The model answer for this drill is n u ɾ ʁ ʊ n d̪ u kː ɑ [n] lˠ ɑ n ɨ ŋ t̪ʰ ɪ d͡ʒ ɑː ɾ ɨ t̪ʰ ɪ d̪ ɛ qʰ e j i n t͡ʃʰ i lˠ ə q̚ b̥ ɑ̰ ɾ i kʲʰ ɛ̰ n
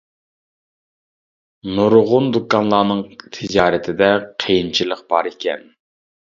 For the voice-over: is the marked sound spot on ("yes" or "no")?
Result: yes